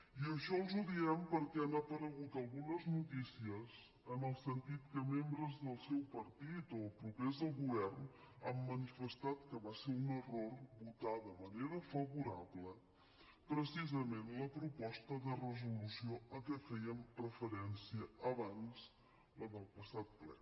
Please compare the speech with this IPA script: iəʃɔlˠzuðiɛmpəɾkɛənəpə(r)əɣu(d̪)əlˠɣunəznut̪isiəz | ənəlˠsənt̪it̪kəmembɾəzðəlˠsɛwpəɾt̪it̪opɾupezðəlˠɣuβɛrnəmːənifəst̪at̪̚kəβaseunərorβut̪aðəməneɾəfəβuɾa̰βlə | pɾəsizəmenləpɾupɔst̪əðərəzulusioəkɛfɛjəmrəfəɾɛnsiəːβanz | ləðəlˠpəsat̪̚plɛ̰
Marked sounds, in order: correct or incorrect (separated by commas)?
incorrect, incorrect